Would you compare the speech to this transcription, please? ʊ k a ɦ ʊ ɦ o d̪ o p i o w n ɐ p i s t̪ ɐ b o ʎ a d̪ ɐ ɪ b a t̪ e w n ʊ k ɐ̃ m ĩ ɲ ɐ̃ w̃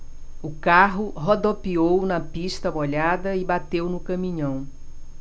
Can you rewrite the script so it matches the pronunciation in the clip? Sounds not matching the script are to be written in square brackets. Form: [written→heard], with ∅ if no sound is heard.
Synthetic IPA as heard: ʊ k a ɦ ʊ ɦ o d̪ o p i o w n ɐ p i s t̪ ɐ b o ʎ a d̪ ɐ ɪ b a t̪ e w n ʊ k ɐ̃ m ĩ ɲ ɐ̃ w̃

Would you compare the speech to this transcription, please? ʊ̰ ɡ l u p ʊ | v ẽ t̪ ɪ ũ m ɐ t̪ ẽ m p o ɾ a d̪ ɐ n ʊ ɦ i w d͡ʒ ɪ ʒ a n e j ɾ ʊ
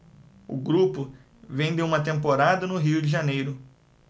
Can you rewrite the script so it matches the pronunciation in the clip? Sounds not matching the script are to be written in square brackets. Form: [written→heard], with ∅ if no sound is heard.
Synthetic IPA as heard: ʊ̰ ɡ [l→ɾ] u p ʊ | v ẽ [t̪→d̪] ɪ ũ m ɐ t̪ ẽ m p o ɾ a d̪ ɐ n ʊ ɦ i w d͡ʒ ɪ ʒ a n e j ɾ ʊ

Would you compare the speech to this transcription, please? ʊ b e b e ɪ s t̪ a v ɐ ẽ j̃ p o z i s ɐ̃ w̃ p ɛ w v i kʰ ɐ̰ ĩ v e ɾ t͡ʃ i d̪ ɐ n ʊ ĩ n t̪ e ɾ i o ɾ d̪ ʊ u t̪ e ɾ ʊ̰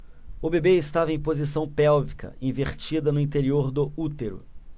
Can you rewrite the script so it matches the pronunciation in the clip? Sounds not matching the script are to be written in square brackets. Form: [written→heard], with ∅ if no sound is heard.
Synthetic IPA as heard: ʊ b e b e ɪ s t̪ a v ɐ ẽ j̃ p o z i s ɐ̃ w̃ p ɛ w v i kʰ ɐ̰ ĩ v e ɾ t͡ʃ i d̪ ɐ n ʊ ĩ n t̪ e ɾ i o ɾ d̪ ʊ u t̪ e ɾ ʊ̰

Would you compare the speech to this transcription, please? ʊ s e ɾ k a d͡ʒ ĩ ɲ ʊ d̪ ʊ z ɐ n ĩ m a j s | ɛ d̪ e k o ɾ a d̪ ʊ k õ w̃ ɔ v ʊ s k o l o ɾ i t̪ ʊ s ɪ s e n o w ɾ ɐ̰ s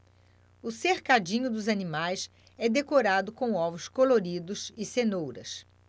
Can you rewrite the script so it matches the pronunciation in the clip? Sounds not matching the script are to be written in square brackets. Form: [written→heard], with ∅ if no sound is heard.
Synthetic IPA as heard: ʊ s e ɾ k a d͡ʒ ĩ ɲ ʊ d̪ ʊ z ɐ n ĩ m a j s | ɛ d̪ e k o ɾ a d̪ ʊ k õ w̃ ɔ v ʊ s k o l o ɾ i [t̪→d̪] ʊ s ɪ s e n o w ɾ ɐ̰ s

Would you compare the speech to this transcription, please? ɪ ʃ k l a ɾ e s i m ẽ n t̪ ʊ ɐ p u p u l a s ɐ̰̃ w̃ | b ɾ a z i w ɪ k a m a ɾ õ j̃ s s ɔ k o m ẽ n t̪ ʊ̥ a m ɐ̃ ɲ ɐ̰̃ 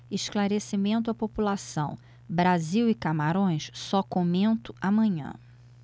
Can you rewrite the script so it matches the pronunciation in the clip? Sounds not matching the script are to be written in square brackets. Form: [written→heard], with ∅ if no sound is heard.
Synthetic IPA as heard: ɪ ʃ k l a ɾ e s i m ẽ n t̪ ʊ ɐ p [u→o] p u l a s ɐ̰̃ w̃ | b ɾ a z i w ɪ k a m a ɾ õ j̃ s s ɔ k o m ẽ n t̪ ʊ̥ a m ɐ̃ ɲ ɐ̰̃

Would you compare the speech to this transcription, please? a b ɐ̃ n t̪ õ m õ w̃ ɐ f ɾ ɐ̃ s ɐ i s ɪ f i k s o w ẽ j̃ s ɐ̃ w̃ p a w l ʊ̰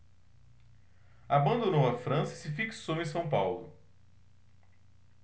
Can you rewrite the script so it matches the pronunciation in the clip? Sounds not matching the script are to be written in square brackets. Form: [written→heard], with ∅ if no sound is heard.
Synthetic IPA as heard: a b ɐ̃ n [t̪→d̪] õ [m→n] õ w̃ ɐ f ɾ ɐ̃ s ɐ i s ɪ f i k s o w ẽ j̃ s ɐ̃ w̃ p a w l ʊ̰

